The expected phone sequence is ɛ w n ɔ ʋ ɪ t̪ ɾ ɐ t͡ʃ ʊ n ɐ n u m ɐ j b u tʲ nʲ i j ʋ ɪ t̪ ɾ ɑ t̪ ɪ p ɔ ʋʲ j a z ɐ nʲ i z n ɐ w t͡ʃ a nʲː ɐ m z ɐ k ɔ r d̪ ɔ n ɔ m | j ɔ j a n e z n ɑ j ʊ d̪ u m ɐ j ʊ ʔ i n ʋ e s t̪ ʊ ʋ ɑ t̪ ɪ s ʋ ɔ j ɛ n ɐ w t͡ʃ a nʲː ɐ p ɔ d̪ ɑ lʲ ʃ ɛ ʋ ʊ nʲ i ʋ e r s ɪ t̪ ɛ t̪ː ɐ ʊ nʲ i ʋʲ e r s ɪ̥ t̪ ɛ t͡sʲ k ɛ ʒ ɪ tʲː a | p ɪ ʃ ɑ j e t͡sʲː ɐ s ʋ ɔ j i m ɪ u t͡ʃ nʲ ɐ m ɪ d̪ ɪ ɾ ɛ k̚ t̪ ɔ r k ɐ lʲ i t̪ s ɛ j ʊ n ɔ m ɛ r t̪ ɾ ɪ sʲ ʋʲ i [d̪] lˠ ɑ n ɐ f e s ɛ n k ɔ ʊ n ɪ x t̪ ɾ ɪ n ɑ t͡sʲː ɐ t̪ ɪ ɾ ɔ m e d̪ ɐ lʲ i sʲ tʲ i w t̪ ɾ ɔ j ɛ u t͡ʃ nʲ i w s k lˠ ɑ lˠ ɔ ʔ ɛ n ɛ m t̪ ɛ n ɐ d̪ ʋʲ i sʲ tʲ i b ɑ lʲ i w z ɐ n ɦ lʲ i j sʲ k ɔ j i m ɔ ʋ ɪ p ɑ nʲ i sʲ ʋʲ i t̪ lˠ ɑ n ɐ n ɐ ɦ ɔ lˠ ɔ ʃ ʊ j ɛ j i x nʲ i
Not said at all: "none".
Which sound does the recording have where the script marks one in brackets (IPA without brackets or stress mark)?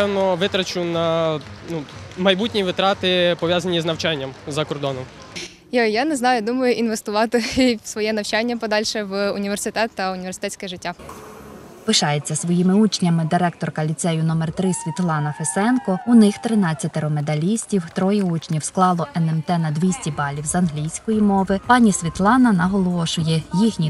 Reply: t̪